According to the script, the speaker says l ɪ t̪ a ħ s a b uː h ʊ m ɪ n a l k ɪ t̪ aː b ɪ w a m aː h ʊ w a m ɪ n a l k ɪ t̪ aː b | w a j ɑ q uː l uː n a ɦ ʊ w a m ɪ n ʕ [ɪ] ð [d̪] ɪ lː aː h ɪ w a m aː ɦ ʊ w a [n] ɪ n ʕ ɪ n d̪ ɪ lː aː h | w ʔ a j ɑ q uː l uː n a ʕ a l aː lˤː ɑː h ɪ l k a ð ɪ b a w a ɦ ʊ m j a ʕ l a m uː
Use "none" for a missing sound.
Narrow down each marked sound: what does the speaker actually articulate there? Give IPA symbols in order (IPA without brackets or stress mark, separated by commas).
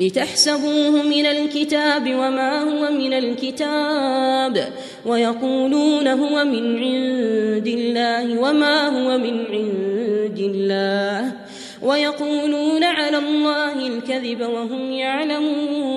ɪ, d̪, m